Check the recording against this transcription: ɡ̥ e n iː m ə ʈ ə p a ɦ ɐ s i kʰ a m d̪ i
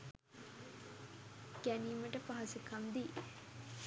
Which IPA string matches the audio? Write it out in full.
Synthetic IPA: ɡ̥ æ n iː m ə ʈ ə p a ɦ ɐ s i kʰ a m d̪ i